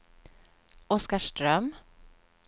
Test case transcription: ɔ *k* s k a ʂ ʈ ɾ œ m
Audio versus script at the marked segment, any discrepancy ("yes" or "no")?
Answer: yes